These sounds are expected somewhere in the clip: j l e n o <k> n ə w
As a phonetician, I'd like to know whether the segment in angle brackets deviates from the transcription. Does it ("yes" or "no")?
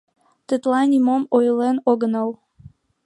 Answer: yes